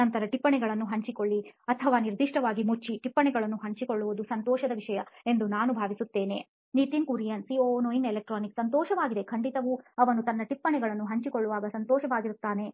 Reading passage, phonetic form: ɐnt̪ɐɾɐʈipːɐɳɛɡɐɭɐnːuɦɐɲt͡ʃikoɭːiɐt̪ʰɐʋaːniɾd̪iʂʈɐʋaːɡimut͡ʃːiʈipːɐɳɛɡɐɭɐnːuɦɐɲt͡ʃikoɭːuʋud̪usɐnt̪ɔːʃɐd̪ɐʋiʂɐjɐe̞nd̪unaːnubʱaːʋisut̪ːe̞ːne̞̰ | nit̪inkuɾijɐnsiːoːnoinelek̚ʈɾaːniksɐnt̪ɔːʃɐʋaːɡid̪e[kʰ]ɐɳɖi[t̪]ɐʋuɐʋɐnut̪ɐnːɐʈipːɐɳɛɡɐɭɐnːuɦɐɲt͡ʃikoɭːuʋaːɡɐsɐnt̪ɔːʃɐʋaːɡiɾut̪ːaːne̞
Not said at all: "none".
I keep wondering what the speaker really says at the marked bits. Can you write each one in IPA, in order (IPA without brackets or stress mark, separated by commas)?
kʰ, t̪